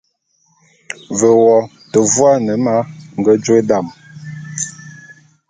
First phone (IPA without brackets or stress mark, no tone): v